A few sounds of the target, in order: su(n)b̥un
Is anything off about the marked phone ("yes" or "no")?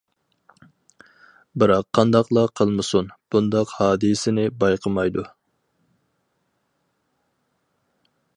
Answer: no